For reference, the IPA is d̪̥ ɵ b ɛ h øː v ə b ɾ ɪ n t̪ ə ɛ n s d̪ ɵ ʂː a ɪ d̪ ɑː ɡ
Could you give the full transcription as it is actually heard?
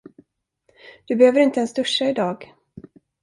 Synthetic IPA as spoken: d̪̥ ɵ b ɛ h øː v ə ɾ ɪ n t̪ ə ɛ n s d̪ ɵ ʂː a ɪ d̪ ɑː ɡ